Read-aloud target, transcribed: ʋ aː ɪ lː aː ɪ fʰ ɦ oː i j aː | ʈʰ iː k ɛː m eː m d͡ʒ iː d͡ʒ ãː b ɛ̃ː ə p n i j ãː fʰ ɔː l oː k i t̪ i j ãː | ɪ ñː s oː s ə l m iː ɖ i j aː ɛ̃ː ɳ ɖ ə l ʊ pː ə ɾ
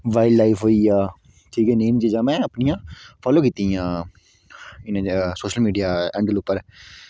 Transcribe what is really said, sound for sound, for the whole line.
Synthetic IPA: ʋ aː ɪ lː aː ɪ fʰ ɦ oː i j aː | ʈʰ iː k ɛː n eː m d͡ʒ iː d͡ʒ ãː m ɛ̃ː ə p n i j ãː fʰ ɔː l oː k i t̪ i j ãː | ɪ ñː s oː ʃ ə l m iː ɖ i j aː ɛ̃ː ɳ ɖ ə l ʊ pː ə ɾ